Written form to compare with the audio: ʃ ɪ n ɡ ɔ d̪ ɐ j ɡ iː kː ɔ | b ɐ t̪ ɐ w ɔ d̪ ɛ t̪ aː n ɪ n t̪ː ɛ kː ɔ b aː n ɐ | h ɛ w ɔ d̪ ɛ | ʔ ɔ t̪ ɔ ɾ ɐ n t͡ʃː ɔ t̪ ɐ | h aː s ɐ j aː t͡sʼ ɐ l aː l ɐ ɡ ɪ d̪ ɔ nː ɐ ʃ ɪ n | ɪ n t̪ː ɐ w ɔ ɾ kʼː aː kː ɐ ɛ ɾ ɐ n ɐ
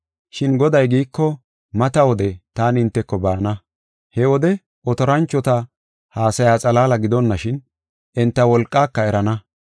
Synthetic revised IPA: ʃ ɪ n ɡ ɔ d̪ ɐ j ɡ iː kː ɔ | m ɐ t̪ ɐ w ɔ d̪ ɛ t̪ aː n ɪ n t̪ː ɛ kː ɔ b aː n ɐ | h ɛ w ɔ d̪ ɛ | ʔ ɔ t̪ ɔ ɾ ɐ n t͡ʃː ɔ t̪ ɐ | h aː s ɐ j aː t͡sʼ ɐ l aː l ɐ ɡ ɪ d̪ ɔ nː ɐ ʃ ɪ n | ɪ n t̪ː ɐ w ɔ l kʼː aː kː ɐ ɛ ɾ ɐ n ɐ